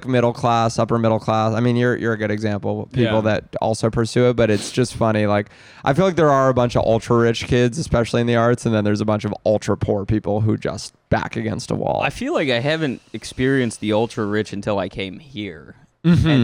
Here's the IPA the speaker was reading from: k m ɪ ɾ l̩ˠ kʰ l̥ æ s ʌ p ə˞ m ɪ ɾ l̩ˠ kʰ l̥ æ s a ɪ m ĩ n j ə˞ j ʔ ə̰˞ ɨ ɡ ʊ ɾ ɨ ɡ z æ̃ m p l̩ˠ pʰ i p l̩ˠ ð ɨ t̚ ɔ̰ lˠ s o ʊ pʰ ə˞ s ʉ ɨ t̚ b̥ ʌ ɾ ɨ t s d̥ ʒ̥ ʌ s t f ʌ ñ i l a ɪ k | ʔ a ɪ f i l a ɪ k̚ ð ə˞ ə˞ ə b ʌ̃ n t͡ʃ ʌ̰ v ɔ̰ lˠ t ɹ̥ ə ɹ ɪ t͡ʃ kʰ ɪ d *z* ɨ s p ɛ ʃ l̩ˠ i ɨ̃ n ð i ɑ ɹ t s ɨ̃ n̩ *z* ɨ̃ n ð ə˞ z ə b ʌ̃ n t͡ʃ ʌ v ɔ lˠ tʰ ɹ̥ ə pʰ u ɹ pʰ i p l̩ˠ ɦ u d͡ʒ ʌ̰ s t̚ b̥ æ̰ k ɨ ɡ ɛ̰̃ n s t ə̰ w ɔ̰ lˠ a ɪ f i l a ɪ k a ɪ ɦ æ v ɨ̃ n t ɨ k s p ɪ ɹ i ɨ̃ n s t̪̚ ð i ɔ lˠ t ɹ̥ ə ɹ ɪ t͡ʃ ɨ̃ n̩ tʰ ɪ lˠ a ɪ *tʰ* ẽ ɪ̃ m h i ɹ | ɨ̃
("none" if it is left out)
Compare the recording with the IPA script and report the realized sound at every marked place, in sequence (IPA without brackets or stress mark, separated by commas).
z, ð, kʰ